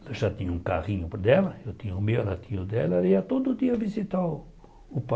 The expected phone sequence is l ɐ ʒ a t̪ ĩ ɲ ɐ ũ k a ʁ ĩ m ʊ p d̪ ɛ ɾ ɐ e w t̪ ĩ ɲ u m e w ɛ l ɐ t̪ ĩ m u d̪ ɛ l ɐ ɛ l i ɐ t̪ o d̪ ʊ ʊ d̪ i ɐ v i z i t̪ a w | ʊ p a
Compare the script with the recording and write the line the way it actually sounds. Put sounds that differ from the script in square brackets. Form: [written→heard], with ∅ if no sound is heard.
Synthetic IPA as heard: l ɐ ʒ a t̪ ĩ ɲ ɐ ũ k a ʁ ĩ [m→ɲ] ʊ p d̪ ɛ [ɾ→l] ɐ e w t̪ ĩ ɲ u m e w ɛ l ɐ t̪ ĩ [m→ɲ] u d̪ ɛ l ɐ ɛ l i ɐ t̪ o d̪ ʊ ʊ d̪ i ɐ v i z i t̪ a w | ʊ p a